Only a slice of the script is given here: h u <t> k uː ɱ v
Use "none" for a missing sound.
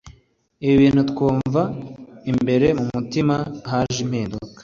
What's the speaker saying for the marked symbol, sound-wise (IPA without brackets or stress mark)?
t